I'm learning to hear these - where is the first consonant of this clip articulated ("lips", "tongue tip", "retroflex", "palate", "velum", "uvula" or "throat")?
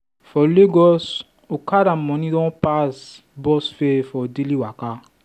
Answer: lips